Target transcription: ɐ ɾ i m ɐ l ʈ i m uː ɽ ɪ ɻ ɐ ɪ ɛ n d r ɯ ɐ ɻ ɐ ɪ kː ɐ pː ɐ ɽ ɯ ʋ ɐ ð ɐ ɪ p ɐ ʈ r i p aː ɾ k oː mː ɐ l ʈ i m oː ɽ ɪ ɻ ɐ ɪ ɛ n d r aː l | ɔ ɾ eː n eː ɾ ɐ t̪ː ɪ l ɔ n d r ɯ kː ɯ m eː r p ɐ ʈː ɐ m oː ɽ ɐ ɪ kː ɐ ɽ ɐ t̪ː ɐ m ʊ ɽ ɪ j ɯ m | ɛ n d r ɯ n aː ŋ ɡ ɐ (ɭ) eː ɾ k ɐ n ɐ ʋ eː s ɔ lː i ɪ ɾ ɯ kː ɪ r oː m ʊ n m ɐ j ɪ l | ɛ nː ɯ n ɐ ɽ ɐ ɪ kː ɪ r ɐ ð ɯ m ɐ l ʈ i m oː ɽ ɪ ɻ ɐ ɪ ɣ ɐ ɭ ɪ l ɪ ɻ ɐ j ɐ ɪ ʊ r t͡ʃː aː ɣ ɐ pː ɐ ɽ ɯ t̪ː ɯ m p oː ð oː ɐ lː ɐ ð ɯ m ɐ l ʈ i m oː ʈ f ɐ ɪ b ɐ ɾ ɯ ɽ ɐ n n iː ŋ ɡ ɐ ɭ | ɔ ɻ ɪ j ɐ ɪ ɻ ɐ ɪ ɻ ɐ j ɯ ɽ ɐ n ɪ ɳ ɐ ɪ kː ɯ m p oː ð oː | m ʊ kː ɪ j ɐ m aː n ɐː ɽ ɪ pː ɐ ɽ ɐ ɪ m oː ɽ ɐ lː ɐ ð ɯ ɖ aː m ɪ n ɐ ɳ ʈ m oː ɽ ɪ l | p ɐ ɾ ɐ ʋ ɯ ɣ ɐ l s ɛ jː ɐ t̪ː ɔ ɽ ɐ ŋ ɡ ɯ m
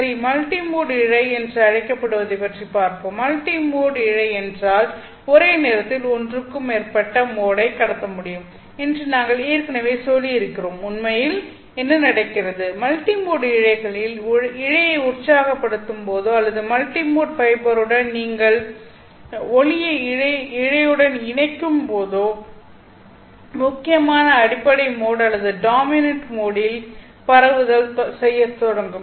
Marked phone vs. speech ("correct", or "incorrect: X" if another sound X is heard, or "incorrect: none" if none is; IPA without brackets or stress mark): correct